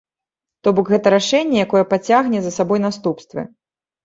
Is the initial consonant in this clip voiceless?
yes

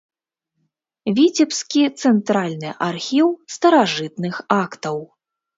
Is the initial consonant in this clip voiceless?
no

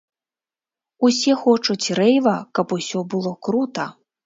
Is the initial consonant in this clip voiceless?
yes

